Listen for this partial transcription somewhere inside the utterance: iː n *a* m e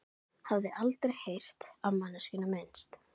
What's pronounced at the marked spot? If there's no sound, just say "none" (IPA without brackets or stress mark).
a